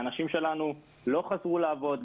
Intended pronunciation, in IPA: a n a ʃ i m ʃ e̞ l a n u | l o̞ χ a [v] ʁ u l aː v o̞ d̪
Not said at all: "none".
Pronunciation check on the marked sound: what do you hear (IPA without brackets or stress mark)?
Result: z